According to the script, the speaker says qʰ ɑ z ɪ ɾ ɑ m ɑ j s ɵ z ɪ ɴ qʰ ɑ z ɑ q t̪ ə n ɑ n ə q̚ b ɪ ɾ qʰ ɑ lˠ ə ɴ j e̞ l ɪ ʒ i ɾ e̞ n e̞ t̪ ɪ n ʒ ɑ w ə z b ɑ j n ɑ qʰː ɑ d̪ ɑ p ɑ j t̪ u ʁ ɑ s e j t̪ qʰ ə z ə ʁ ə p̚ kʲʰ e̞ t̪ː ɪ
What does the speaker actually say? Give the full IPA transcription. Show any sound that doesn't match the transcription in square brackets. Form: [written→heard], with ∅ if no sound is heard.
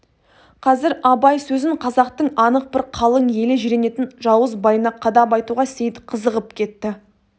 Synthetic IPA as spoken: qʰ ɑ z ɪ ɾ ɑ [m→b] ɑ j s ɵ z ɪ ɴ qʰ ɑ z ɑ q t̪ ə [n→ɴ] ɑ n ə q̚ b ɪ ɾ qʰ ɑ lˠ ə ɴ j e̞ l ɪ ʒ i ɾ e̞ n e̞ t̪ ɪ n ʒ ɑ w ə z b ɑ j n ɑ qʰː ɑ d̪ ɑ p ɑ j t̪ u ʁ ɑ s e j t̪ qʰ ə z ə ʁ ə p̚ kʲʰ e̞ t̪ː ɪ